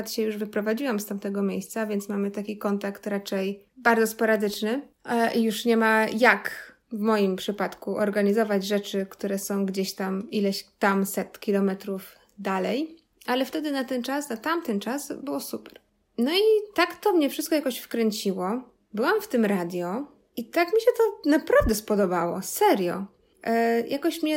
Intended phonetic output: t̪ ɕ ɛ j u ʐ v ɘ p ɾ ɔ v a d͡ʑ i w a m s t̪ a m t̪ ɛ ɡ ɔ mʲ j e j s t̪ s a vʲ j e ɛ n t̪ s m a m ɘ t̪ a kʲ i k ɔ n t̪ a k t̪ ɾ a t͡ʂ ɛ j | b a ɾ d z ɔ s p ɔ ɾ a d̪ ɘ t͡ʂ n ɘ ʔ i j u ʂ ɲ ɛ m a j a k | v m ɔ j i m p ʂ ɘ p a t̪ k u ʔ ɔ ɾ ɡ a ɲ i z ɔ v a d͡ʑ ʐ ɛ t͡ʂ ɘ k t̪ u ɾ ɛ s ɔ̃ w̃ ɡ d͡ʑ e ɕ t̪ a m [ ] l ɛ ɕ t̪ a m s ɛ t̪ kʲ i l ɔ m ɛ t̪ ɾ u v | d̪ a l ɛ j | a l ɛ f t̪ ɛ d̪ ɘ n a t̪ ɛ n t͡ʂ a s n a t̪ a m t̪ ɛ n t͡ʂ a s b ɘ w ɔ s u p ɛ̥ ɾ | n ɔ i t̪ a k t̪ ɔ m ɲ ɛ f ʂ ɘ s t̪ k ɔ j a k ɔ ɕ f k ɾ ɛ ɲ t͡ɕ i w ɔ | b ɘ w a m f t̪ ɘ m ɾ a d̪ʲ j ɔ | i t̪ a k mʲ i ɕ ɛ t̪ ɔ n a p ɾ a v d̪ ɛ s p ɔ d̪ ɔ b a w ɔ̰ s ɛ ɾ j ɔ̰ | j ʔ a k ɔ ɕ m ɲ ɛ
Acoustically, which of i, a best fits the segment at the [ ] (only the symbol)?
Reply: i